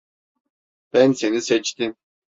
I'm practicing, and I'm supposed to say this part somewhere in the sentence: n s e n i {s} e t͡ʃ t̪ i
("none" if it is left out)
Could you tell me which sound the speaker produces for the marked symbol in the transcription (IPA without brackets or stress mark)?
s